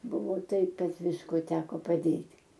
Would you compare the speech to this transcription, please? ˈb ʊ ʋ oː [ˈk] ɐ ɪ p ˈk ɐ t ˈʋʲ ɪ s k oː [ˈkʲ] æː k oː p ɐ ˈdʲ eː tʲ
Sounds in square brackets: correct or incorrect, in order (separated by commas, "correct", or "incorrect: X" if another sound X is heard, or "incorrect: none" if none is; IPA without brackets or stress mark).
incorrect: t, incorrect: tʲ